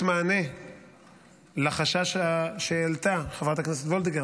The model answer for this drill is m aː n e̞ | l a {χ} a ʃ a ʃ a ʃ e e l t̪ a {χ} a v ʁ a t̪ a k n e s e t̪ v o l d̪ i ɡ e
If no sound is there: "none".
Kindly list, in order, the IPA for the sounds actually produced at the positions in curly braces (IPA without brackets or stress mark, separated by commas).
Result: χ, χ